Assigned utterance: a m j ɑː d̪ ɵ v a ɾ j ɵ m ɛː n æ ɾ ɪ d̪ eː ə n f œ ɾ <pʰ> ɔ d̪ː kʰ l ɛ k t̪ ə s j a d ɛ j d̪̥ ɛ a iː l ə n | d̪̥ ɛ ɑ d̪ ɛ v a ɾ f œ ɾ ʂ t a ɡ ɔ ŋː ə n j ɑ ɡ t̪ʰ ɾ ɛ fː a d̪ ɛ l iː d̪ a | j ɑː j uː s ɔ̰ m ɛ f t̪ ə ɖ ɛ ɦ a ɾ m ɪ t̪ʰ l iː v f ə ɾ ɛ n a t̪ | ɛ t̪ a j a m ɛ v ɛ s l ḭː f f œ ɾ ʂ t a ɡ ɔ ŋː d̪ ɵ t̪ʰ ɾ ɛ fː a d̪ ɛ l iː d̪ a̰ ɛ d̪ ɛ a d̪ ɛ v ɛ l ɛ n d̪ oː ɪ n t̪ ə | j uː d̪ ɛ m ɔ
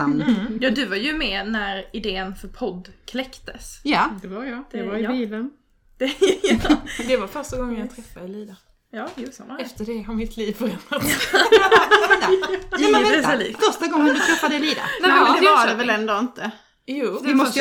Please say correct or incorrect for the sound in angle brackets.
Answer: correct